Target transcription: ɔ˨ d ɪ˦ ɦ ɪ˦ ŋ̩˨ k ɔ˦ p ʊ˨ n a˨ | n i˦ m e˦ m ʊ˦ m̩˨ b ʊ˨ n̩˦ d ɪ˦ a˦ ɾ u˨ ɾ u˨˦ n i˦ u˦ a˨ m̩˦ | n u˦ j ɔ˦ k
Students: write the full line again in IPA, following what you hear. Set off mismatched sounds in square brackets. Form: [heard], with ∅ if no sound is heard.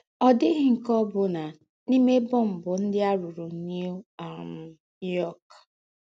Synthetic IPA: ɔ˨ d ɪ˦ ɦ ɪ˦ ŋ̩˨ k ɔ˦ [b] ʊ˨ n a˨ | n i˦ m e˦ [b] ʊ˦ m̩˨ b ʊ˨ n̩˦ d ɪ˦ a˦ ɾ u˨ ɾ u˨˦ n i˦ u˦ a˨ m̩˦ | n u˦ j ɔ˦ k